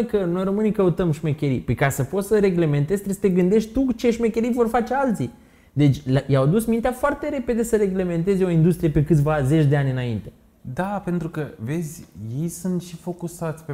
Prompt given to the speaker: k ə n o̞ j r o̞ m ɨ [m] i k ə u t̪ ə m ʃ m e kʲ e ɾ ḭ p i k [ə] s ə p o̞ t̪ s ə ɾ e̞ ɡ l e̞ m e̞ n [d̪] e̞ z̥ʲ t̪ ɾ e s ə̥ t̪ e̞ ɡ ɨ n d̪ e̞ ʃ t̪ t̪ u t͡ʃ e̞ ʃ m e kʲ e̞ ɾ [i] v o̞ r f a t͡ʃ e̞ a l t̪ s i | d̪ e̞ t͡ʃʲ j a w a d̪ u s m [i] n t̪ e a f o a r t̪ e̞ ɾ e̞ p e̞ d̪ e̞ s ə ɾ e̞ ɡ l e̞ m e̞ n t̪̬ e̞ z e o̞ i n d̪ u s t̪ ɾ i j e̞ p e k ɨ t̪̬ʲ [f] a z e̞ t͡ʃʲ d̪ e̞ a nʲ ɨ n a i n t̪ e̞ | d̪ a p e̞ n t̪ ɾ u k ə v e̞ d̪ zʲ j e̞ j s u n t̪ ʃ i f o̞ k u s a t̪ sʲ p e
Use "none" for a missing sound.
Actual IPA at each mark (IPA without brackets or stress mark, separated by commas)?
n, a, t̪, i, i, v